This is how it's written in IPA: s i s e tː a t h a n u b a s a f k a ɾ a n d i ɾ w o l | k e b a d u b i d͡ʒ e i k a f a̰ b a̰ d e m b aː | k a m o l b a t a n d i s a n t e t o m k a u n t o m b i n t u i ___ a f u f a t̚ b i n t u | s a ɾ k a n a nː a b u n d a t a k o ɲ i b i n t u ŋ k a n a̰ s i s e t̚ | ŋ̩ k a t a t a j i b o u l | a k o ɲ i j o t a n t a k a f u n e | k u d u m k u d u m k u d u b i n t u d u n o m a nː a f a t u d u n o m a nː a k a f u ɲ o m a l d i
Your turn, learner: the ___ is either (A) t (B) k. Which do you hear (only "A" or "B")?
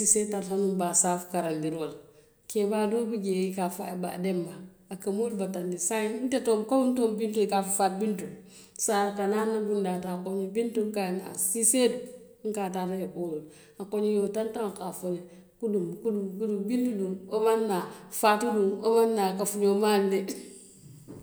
B